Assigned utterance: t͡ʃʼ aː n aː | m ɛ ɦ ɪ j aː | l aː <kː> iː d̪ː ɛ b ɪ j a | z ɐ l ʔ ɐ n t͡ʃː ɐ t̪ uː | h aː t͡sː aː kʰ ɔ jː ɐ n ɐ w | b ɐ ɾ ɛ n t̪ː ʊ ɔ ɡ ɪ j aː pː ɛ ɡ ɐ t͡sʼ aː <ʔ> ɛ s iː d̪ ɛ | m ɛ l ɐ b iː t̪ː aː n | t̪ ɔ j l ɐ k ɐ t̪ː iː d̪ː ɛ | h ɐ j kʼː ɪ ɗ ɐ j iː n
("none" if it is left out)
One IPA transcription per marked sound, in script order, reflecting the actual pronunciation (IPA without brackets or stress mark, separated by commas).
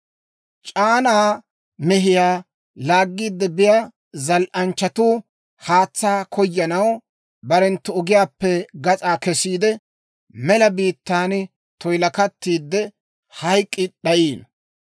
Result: ɡː, k